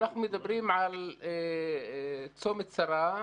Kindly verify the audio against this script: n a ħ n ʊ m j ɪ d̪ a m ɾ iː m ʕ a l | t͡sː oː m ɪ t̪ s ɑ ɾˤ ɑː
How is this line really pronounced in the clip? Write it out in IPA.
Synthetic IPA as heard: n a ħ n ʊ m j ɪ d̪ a b ɾ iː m ʕ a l | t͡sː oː m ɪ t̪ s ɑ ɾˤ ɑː